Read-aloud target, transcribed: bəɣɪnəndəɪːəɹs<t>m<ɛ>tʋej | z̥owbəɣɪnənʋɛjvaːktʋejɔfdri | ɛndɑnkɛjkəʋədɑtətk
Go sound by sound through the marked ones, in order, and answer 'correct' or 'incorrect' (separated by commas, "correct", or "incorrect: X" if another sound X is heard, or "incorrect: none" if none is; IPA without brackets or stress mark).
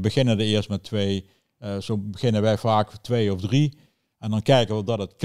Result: correct, correct